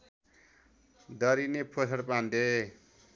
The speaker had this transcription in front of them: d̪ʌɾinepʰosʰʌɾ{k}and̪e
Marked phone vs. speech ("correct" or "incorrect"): incorrect